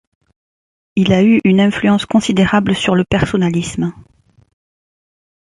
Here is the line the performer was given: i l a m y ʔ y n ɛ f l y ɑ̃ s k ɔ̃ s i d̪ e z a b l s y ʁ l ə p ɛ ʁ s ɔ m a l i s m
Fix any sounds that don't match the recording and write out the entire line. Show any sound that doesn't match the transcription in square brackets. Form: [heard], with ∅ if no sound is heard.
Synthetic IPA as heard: i l a [∅] y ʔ y n [ɛ̃] f l y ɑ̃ s k ɔ̃ s i d̪ e [ʁ] a b l s y ʁ l ə p ɛ ʁ s ɔ [n] a l i s m